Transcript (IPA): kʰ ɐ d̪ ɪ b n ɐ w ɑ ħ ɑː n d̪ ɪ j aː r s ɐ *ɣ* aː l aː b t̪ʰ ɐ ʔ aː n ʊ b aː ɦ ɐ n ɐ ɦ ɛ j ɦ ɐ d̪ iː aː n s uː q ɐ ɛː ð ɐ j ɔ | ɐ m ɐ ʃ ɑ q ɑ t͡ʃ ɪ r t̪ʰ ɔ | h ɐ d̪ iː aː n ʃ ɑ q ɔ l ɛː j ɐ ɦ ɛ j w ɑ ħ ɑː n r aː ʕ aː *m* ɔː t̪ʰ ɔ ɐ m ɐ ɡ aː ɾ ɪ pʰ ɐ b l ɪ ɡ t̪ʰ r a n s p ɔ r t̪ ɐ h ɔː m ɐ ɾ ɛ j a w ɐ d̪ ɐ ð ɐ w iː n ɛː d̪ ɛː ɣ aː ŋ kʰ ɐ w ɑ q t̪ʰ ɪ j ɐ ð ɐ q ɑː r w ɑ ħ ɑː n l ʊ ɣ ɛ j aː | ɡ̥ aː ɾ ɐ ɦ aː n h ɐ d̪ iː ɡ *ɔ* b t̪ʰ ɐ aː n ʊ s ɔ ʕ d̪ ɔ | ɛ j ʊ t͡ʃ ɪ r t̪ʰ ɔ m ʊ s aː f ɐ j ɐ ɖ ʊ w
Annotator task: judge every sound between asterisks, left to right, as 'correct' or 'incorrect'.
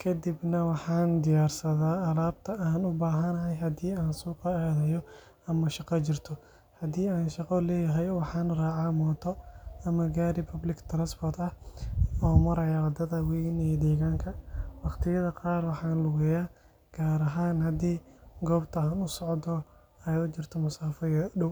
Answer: incorrect: ð, correct, incorrect: ɔː

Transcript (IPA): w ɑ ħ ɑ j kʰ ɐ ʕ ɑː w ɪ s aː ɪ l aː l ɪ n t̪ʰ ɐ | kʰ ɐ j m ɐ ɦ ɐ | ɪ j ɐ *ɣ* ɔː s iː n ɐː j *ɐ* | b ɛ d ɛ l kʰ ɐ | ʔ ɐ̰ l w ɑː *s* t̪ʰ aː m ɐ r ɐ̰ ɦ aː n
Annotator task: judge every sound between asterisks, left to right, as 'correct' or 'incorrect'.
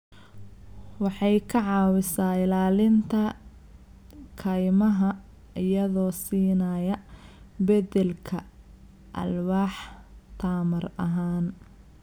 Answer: incorrect: ð, correct, incorrect: ħ

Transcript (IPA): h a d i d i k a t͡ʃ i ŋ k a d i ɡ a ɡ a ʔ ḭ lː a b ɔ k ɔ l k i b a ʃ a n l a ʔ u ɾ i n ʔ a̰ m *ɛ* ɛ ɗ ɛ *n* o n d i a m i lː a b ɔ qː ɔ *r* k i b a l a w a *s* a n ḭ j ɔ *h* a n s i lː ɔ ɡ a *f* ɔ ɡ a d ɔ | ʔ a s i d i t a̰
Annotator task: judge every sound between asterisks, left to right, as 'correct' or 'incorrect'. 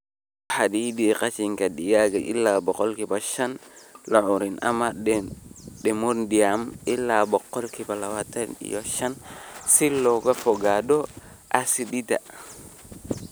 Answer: incorrect: a, incorrect: m, incorrect: l, incorrect: t, incorrect: ʃ, correct

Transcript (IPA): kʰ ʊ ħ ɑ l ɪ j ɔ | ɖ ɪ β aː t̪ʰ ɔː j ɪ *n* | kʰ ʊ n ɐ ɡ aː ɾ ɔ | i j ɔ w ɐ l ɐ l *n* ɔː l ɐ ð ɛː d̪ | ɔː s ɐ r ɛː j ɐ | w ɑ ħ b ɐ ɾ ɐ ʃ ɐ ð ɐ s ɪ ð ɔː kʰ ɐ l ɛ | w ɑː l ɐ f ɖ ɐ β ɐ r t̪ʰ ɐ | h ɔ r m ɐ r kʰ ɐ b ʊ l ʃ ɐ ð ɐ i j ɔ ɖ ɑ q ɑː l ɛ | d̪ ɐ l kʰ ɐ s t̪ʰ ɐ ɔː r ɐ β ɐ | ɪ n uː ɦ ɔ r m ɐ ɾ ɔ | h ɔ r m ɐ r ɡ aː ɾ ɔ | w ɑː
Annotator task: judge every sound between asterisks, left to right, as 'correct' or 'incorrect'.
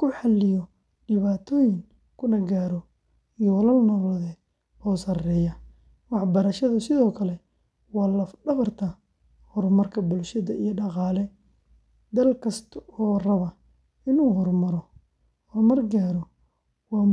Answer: incorrect: ŋ, correct

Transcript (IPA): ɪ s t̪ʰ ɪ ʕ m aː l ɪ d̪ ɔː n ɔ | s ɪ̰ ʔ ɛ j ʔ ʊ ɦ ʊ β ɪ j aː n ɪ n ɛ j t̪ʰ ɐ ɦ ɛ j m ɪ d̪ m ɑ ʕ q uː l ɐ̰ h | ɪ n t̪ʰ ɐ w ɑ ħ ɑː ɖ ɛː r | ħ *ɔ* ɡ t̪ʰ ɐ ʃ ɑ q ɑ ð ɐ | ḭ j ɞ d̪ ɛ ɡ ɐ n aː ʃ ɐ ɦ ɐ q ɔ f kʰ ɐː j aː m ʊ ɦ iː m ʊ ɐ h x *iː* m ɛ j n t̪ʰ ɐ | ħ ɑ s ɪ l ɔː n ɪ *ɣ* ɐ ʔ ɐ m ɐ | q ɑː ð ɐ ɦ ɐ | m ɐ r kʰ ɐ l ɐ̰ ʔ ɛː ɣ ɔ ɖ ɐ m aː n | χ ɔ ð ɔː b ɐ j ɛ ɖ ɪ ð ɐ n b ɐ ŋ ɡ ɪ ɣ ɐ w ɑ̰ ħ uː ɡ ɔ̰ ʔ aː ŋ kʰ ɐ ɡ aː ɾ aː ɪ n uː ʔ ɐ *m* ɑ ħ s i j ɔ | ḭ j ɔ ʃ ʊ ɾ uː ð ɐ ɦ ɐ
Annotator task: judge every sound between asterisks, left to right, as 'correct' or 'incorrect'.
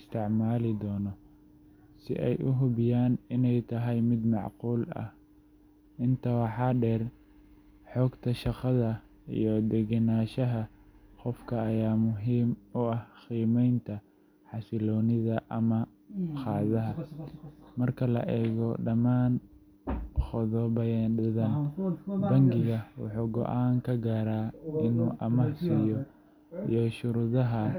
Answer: incorrect: ɔː, correct, incorrect: ð, correct

